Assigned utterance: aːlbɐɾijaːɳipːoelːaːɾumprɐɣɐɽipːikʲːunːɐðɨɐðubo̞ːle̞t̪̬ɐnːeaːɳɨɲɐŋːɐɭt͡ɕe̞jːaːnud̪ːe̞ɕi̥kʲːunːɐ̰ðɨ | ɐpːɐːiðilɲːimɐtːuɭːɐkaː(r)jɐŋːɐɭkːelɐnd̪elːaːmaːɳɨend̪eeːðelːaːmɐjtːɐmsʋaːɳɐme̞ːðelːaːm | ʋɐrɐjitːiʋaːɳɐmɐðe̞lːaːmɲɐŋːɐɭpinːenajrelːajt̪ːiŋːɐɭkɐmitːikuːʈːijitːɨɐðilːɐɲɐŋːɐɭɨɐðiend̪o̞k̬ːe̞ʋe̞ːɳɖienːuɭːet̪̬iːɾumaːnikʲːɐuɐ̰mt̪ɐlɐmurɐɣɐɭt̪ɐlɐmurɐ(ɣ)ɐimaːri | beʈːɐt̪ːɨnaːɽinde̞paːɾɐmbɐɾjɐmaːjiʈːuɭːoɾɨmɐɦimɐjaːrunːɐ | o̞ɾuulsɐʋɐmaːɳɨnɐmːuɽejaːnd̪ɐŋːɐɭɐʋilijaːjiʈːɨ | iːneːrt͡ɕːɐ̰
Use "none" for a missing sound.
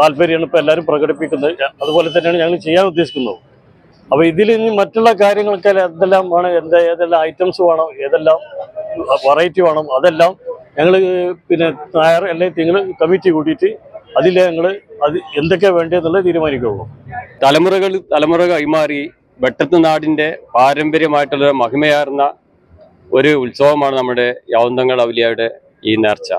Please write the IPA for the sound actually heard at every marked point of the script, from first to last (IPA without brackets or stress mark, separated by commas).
ɾ, ɣ